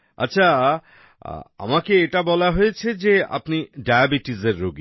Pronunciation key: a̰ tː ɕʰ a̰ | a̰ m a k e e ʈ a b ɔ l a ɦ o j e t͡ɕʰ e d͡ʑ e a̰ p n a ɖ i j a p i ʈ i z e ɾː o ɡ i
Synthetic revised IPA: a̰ tː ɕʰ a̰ | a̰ m a k e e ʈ a b ɔ l a ɦ o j e t͡ɕʰ e d͡ʑ e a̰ p n i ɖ a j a b i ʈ i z e ɾː o ɡ i